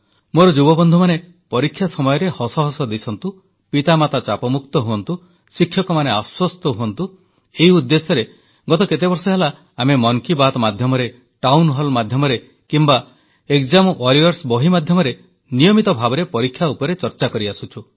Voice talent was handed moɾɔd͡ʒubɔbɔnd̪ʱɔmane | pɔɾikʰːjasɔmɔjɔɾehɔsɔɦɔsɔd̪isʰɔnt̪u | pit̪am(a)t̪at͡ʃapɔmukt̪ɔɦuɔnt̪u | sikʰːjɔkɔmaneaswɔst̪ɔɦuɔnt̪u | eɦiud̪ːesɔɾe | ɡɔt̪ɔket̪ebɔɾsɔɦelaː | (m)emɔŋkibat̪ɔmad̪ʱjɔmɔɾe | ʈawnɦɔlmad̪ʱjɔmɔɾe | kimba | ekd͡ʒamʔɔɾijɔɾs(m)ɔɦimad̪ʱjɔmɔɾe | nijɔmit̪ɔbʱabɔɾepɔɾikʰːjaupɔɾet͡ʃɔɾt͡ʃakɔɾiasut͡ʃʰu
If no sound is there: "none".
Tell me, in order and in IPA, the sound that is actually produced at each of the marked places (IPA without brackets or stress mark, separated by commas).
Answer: a, m, b